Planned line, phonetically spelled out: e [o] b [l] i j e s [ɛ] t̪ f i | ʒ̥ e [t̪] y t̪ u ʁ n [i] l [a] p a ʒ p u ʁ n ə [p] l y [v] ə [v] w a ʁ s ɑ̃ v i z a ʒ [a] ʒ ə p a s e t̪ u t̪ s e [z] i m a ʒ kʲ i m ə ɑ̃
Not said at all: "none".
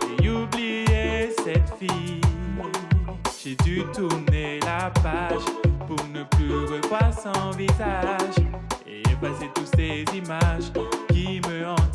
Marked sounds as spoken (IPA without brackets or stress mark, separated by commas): u, l, ɛ, d̪, e, a, p, ʁ, v, e, z